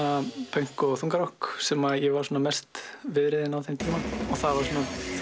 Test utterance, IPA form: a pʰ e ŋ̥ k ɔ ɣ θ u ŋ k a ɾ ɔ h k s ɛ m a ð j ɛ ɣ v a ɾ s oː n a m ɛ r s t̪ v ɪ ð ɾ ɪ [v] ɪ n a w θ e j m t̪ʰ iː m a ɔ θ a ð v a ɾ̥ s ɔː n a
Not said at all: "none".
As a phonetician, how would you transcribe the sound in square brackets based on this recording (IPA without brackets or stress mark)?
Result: ð